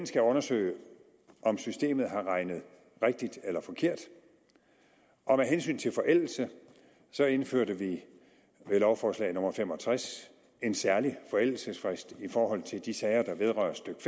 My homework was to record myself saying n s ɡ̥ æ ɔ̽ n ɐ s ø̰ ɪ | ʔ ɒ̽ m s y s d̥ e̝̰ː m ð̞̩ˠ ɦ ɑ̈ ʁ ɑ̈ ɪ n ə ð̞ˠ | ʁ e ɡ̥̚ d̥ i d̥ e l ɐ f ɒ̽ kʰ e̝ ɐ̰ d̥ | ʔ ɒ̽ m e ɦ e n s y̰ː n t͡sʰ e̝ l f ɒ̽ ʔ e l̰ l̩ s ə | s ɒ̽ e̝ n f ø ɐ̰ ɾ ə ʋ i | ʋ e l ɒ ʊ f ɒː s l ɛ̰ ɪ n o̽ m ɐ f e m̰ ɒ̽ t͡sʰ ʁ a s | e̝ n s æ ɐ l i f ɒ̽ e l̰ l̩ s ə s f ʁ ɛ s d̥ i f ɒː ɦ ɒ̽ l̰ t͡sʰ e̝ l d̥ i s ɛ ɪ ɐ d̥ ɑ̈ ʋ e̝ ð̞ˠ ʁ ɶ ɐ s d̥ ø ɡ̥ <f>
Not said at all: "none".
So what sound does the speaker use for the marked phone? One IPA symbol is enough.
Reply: f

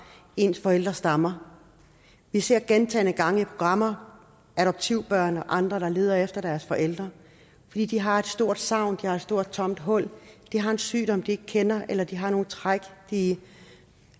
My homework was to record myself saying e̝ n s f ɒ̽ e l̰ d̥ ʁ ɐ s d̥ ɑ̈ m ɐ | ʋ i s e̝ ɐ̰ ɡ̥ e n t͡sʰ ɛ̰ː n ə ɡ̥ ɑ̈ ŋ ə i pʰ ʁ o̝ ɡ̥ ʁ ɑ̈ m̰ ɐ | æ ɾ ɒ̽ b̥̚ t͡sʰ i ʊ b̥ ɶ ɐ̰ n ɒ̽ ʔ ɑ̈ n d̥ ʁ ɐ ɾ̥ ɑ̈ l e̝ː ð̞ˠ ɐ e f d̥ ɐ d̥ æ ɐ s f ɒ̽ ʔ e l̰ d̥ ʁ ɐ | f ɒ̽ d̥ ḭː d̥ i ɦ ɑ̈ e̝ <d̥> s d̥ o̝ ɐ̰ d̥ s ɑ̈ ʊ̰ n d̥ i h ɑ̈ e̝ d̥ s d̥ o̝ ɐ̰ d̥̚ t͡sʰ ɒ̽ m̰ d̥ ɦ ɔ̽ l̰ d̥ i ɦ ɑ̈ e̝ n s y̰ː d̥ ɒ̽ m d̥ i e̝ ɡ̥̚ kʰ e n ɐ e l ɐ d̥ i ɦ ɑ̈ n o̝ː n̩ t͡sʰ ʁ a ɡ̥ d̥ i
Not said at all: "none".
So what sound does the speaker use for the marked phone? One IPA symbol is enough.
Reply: d̥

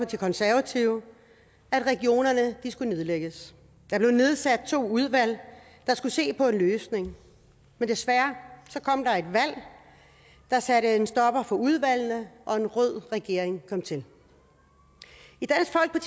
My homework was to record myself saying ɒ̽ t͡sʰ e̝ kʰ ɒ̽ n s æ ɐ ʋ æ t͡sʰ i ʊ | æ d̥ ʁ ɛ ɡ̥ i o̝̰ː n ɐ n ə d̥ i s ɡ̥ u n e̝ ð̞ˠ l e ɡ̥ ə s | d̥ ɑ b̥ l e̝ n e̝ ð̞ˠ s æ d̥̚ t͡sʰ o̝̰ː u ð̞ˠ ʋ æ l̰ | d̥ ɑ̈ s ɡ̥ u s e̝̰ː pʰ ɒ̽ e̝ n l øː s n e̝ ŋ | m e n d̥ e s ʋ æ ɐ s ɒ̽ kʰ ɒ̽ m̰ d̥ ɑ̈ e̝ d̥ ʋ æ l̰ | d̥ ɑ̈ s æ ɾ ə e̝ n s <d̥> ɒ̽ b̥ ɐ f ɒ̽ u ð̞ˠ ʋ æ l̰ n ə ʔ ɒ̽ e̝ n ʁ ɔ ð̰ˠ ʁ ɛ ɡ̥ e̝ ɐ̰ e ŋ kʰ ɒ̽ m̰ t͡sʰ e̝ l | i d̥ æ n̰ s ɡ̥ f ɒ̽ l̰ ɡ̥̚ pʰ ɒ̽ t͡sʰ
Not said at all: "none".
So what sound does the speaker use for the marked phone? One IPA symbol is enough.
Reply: d̥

